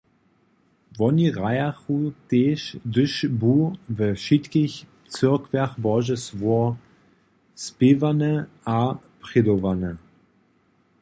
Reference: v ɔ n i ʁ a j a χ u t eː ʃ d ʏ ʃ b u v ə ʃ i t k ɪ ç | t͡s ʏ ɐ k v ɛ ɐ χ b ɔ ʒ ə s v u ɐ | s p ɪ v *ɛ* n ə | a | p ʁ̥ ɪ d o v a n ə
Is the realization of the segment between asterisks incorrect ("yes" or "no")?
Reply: yes